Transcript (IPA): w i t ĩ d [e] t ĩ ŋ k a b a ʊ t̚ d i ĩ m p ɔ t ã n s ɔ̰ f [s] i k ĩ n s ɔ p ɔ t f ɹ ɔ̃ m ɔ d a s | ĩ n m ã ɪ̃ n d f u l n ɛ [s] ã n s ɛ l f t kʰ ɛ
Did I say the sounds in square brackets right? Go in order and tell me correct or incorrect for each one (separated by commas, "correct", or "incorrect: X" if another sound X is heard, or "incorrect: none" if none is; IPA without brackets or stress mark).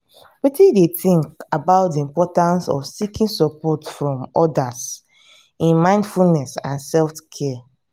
correct, correct, correct